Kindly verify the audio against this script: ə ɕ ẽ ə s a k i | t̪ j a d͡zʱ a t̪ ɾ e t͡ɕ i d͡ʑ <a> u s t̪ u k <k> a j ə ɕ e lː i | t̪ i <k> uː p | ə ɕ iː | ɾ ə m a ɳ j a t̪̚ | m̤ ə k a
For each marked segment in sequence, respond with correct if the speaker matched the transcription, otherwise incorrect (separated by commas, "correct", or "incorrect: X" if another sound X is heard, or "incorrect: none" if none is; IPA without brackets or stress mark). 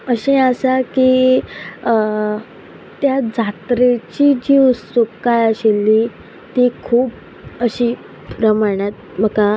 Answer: incorrect: i, correct, incorrect: kʰ